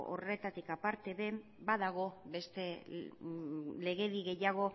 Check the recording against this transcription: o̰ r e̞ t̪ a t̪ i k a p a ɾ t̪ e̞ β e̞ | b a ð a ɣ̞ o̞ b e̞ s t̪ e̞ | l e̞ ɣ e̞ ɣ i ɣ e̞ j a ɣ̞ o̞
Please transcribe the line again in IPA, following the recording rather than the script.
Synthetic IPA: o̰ r e̞ t̪ a t̪ i k a p a ɾ t̪ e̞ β e̞ | b a ð a ɣ̞ o̞ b e̞ s t̪ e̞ | l e̞ ɣ e̞ ð i ɣ e̞ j a ɣ̞ o̞

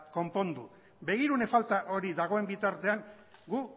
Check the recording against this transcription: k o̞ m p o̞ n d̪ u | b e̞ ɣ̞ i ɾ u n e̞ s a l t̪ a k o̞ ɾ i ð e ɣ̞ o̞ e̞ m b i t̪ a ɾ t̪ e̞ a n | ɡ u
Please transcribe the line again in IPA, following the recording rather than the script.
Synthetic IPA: k o̞ m p o̞ n d̪ u | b e̞ ɣ̞ i ɾ u n e̞ f a l t̪ a ʔ o̞ ɾ i ð a ɣ̞ o̞ e̞ m b i t̪ a ɾ t̪ e̞ a ŋ | ɡ u

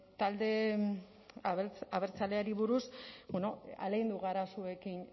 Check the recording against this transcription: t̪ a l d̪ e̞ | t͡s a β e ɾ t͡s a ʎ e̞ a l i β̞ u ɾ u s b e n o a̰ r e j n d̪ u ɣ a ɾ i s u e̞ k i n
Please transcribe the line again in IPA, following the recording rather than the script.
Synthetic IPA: t̪ a l d̪ e̞ | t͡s a β e ɾ t͡s a l e̞ a ɾ i β̞ u ɾ u s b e n o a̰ l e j n d̪ u ɣ a ɾ a s u e̞ k i n

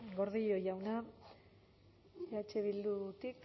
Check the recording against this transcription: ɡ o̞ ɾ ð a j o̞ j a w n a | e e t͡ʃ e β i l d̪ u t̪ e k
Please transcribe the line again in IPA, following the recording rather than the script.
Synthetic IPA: ɡ o̞ ɾ ð i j o̞ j a w n a | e a t͡ʃ e β i l d̪ u t̪ i k

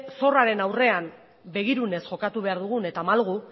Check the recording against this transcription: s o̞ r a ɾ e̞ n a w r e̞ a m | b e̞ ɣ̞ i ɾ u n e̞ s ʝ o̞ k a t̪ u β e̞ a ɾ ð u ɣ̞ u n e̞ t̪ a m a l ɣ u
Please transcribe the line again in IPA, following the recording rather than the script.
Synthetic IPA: s o̞ r a ɾ e̞ n a w r e̞ a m | b e̞ ɣ̞ i ɾ u n e̞ s ʝ o̞ k a t̪ u β e̞ a ɾ ð u ɣ̞ u n e̞ t̪ a m a l ɣ u

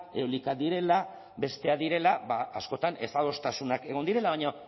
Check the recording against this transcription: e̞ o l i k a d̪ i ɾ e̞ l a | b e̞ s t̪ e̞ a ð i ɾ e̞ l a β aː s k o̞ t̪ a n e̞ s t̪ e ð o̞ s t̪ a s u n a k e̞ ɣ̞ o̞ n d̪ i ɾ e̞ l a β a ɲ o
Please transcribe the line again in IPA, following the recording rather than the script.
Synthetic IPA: e̞ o l i k a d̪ i ɾ e̞ l a | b e̞ s t̪ e̞ a ð i ɾ e̞ l a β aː s k o̞ t̪ a n e̞ s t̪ a ð o̞ s t̪ a s u n a k e̞ ɣ̞ o̞ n d̪ i ɾ e̞ l a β a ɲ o

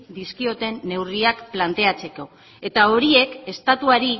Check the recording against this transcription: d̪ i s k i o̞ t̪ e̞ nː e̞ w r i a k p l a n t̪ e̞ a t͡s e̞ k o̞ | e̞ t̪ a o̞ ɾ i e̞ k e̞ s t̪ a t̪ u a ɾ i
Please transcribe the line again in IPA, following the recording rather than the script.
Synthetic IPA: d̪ i s k i o̞ t̪ e̞ nː e̞ w r i a k p l a n t̪ e̞ a t͡s e̞ k o̞ | e̞ t̪ a o̞ ɾ i e̞ k e̞ s t̪ a t̪ u a ɾ i

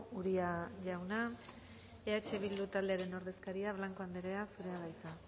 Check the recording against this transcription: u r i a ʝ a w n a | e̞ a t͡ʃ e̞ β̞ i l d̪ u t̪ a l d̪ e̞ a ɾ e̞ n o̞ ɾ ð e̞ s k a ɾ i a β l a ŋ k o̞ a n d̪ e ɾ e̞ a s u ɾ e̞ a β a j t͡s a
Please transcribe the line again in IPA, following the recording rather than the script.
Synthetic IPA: u ɾ i a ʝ a w n a | e̞ a t͡ʃ e̞ β̞ i l d̪ u t̪ a l d̪ e̞ a ɾ e̞ n o̞ ɾ ð e̞ s k a ɾ i a β l a ŋ k o̞ a n d̪ e ɾ e̞ a s u ɾ e̞ a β a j t͡s a

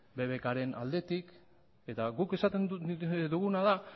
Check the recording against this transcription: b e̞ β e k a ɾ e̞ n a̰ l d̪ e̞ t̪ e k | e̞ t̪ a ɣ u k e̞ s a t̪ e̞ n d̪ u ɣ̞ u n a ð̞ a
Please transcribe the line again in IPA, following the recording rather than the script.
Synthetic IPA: b e̞ β e k a ɾ e̞ n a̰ l d̪ e̞ t̪ i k | e̞ t̪ a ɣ u k e̞ s a t̪ e̞ n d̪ u ɣ̞ u n a ð̞ a

